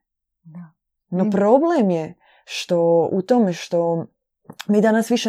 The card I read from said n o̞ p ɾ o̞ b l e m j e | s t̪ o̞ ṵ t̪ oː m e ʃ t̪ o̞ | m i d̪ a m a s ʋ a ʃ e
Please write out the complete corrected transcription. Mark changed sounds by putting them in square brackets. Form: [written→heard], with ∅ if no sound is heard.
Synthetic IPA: n o̞ p ɾ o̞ b l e m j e | [s→ʃ] t̪ o̞ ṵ t̪ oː m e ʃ t̪ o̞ | m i d̪ a [m→n] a s ʋ [a→i] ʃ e